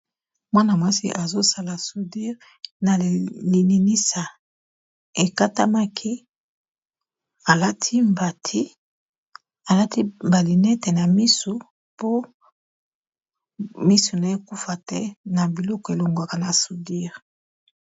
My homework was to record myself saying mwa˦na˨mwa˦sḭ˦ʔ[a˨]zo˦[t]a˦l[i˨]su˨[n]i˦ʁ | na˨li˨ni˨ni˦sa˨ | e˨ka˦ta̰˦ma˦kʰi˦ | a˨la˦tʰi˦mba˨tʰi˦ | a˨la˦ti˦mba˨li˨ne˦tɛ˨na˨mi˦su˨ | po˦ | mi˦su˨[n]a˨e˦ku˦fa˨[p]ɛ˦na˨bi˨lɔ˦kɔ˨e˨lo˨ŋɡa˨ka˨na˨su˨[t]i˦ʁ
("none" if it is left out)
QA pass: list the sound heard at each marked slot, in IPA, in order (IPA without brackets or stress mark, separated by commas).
a˨, s, a˨, d, n, t, d